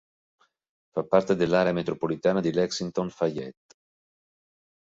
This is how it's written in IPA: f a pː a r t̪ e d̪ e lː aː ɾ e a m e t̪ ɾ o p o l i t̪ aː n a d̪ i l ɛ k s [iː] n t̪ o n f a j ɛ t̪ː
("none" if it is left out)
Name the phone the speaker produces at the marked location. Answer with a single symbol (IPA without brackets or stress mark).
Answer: i